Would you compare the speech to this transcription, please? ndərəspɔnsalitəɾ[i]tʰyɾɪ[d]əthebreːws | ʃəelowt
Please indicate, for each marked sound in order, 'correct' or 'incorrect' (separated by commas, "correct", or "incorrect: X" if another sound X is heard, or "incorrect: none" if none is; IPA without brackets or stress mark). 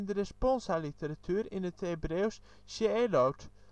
incorrect: a, incorrect: n